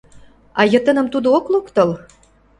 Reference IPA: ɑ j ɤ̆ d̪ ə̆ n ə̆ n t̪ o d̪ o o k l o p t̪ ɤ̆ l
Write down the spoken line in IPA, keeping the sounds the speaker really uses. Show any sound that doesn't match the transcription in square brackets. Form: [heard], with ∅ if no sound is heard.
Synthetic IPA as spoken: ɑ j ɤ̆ [t̪] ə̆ n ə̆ [m] t̪ [u] d̪ o o k l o [k] t̪ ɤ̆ l